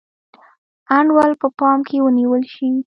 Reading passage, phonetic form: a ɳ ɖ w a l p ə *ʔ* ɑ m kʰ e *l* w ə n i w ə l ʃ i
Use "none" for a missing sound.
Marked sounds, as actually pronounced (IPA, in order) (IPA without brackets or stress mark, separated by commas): p, none